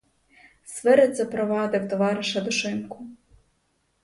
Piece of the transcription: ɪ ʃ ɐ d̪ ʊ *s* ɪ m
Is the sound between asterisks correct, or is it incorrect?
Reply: incorrect